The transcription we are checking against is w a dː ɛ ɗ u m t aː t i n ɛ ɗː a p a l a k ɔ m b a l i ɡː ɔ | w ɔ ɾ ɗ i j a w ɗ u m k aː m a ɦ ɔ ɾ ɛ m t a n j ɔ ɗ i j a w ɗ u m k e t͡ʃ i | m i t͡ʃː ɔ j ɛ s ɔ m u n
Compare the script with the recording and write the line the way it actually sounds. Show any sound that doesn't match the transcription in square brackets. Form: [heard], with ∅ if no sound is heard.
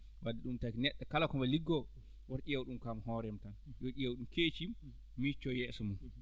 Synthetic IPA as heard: w a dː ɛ ɗ u m t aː [k] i n ɛ ɗː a [k] a l a k ɔ m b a l i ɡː ɔ | w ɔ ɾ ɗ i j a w ɗ u m k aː m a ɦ ɔ ɾ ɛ m t a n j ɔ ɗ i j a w ɗ u m k e t͡ʃ i | m i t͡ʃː ɔ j ɛ s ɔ m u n